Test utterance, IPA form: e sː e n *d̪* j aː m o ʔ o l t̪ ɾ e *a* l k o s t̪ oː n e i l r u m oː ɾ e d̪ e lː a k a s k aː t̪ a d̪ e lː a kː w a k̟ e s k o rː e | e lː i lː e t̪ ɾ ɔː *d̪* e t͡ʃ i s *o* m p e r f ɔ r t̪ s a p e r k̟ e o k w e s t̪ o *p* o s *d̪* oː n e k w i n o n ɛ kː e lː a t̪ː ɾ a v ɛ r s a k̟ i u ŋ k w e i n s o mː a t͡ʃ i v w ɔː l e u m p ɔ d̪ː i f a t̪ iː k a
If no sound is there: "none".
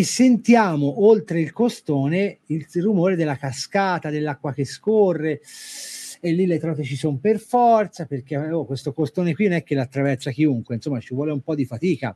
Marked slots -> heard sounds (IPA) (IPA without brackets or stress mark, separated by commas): t̪, i, t̪, o, k, t̪